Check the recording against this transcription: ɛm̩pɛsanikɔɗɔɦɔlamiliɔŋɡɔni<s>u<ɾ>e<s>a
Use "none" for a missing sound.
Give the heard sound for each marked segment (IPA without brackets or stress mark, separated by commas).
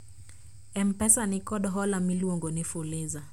f, l, z